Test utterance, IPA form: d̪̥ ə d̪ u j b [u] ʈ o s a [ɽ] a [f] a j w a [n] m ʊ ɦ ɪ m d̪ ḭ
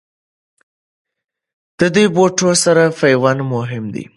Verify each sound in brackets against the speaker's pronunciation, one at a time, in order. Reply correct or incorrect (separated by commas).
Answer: incorrect, incorrect, correct, correct